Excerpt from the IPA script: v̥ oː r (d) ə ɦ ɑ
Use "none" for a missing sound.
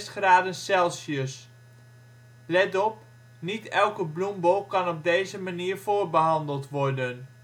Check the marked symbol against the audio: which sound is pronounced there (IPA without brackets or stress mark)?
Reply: b